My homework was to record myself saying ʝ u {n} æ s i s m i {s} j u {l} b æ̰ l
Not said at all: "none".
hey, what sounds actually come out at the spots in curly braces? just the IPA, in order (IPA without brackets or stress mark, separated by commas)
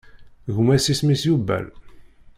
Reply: m, s, none